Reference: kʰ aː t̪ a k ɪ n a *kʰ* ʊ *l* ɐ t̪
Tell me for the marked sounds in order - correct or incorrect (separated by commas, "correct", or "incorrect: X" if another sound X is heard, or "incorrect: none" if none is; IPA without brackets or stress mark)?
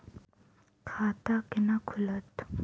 correct, correct